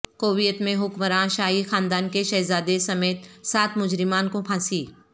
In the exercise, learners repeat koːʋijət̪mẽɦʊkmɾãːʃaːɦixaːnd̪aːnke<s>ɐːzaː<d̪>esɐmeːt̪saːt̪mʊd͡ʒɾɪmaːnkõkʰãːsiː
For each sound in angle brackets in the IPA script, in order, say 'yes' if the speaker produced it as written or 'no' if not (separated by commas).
no, yes